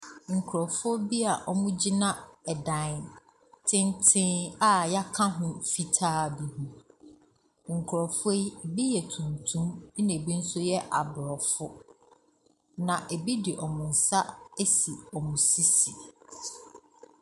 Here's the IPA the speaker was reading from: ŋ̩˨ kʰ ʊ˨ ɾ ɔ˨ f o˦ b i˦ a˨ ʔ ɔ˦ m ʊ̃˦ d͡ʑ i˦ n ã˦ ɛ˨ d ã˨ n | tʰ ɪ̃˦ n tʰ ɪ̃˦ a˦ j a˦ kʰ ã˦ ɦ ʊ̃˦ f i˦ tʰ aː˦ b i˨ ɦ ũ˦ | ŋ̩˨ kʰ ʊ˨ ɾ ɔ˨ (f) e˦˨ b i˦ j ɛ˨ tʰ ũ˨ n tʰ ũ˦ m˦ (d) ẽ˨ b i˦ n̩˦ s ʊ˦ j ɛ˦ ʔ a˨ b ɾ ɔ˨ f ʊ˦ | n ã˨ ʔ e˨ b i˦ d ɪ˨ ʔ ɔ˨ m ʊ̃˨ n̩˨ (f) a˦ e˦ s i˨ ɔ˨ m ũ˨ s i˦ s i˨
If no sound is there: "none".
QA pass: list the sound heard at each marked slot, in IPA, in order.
f, n, s

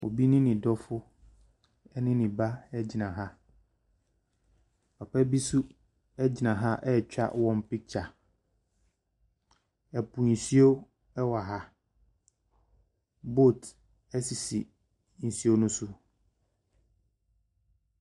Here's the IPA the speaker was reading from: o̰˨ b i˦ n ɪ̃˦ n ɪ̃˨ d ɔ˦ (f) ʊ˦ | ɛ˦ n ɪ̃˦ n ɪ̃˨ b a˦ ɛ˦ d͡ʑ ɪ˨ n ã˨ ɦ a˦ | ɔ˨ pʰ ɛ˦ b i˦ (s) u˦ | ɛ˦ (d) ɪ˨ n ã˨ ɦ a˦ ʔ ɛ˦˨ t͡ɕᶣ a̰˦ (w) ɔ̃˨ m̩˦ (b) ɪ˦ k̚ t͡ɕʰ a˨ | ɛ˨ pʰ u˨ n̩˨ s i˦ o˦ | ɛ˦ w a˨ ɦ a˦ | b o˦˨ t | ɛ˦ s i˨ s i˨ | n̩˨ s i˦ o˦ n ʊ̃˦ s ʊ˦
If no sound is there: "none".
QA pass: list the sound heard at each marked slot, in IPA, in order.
f, s, d͡ʑ, w, p

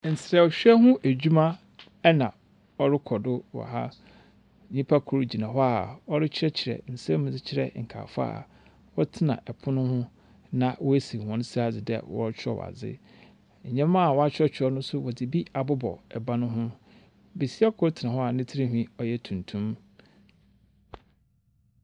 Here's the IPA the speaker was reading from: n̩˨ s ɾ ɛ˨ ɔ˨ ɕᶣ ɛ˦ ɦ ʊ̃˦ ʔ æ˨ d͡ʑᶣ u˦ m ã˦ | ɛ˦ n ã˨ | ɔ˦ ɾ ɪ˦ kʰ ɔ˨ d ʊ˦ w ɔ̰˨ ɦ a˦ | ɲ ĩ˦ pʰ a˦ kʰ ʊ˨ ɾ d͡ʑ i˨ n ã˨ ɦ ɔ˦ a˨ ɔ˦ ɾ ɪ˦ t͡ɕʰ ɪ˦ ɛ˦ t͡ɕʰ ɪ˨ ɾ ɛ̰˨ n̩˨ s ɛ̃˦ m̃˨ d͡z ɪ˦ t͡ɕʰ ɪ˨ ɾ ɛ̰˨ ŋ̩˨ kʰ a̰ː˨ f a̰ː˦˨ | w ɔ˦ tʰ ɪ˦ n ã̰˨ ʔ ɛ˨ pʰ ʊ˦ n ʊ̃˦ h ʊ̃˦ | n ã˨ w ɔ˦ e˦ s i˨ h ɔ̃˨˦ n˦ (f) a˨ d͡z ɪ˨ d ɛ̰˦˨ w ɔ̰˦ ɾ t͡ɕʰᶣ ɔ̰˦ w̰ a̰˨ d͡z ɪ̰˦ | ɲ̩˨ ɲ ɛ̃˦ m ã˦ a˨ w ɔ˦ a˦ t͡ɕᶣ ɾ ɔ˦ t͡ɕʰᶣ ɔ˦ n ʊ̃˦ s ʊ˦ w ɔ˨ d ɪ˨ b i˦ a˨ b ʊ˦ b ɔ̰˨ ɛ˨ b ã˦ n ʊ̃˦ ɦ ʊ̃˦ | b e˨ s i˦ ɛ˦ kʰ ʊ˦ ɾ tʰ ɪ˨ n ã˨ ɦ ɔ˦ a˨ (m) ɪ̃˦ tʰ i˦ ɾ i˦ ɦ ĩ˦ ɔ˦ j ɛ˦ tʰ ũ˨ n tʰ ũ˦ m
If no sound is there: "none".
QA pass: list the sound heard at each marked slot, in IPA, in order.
s, n

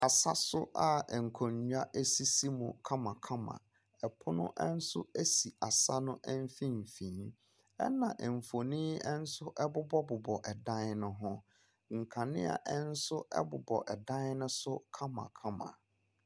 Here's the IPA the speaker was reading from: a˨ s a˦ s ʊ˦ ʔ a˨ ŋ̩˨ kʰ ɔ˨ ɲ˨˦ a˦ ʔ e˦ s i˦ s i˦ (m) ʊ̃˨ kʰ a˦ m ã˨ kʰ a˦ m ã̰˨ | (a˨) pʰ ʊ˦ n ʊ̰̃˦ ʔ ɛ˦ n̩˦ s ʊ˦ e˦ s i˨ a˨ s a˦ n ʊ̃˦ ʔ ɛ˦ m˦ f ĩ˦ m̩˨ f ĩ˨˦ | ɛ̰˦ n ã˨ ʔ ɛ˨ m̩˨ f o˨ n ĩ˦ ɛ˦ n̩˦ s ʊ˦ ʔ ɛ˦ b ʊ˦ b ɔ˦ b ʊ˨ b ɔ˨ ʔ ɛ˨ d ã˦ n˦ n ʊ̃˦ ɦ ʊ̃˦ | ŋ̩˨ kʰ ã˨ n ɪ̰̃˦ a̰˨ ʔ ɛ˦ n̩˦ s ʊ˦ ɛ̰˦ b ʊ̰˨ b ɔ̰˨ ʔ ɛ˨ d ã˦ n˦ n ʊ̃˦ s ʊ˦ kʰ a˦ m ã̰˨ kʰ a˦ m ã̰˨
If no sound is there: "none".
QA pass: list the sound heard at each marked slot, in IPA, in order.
m, ɛ˨

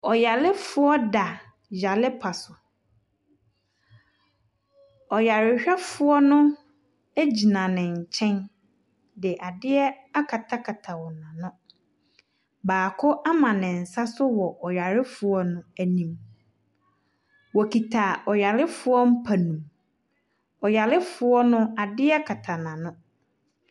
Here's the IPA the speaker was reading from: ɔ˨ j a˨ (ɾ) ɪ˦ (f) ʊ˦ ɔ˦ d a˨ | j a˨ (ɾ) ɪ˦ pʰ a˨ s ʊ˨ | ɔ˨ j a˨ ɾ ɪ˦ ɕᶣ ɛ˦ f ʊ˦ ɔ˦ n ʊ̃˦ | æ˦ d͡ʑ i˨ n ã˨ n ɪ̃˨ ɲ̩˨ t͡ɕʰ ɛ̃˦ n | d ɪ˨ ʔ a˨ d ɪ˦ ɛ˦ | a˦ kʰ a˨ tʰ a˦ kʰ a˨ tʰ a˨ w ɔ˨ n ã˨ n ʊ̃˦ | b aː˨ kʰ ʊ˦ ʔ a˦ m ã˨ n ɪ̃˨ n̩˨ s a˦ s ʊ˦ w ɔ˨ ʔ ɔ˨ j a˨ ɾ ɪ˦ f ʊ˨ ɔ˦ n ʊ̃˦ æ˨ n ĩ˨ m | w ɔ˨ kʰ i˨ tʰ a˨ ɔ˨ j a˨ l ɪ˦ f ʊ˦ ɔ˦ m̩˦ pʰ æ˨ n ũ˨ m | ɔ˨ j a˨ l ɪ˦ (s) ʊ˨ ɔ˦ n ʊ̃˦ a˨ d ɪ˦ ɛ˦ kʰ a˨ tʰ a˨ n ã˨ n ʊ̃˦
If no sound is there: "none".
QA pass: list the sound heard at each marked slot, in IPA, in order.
l, f, l, f

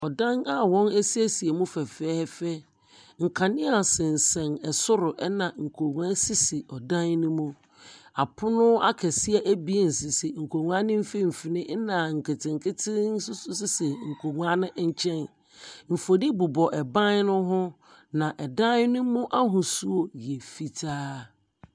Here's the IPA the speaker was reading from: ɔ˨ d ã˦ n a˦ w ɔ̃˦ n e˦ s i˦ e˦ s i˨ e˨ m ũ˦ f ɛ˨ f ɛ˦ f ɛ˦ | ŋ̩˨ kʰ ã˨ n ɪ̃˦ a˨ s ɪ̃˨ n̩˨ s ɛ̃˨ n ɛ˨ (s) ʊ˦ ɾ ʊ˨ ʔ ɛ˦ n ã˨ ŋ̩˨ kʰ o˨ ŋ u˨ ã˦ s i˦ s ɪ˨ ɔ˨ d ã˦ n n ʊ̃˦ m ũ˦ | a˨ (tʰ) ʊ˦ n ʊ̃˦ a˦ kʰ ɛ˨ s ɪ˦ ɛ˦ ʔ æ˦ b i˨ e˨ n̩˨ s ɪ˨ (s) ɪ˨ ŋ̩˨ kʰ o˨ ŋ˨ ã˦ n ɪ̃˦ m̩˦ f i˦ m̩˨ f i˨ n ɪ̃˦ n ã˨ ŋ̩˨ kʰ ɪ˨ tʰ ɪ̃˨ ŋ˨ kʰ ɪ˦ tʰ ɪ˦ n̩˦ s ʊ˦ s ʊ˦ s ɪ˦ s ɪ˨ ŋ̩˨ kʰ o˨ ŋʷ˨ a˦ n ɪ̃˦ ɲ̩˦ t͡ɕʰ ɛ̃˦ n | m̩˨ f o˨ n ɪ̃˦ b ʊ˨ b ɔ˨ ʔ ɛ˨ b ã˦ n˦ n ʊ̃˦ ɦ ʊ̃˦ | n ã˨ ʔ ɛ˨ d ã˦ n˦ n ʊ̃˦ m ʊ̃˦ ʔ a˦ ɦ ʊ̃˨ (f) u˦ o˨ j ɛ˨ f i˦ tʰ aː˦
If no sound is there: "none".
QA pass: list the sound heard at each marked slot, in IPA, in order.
s, pʰ, s, s

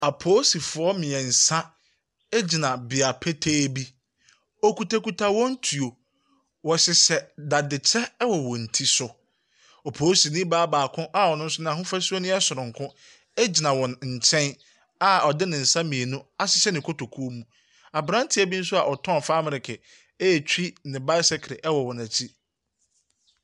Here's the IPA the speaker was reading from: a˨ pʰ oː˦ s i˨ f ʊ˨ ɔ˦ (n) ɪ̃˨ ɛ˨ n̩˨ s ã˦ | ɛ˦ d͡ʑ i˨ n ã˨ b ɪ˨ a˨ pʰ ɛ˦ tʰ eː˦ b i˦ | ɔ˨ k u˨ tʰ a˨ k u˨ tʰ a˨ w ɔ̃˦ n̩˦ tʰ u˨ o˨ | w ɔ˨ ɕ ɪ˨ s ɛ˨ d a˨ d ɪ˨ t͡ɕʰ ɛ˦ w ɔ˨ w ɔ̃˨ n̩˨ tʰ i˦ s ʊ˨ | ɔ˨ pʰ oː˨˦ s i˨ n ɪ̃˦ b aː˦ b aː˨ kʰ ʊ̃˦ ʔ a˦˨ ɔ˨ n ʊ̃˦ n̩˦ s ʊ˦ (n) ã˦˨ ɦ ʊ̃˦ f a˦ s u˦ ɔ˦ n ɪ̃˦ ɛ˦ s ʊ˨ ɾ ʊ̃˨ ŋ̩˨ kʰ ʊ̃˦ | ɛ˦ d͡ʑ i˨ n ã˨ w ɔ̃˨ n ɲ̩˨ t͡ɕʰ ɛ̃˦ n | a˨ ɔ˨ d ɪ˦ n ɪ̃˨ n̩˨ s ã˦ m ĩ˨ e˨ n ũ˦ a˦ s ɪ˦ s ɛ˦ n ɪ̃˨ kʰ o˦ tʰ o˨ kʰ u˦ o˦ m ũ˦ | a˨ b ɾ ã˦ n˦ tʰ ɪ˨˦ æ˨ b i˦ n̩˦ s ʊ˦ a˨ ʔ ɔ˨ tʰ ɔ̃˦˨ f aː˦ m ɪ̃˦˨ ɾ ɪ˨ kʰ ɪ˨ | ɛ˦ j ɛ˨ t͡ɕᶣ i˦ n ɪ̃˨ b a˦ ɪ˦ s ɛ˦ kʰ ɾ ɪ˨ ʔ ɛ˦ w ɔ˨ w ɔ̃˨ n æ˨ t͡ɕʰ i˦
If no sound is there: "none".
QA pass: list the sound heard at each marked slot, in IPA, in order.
m, n

